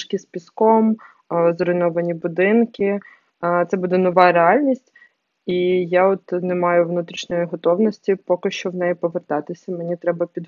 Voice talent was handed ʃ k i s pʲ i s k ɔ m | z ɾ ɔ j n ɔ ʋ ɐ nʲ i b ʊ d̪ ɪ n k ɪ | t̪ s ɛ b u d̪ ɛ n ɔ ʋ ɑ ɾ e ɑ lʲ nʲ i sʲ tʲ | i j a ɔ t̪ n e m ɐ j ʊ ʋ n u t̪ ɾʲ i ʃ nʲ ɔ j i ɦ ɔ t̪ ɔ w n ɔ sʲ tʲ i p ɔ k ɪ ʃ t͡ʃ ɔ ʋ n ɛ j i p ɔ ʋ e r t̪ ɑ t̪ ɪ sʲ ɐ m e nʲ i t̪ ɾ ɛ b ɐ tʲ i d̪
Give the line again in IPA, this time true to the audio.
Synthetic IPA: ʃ k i s pʲ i s k ɔ m | z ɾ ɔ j n ɔ ʋ ɐ nʲ i b ʊ d̪ ɪ n k ɪ | t̪ s ɛ b u d̪ ɛ n ɔ ʋ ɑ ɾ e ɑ lʲ nʲ i sʲ tʲ | i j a ɔ t̪ n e m ɑ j ʊ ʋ n u t̪ ɾʲ i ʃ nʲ ɔ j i ɦ ɔ t̪ ɔ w n ɔ sʲ tʲ i p ɔ k ɪ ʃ t͡ʃ ɔ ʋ n ɛ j i p ɔ ʋ e r t̪ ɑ t̪ ɪ sʲ ɐ m e nʲ i t̪ ɾ ɛ b ɐ pʲ i d̪